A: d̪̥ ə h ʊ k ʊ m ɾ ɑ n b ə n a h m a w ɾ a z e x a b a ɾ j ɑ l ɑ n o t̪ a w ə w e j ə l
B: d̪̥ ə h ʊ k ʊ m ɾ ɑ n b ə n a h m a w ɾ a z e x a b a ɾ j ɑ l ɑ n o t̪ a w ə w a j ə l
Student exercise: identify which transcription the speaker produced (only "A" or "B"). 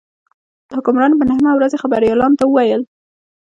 B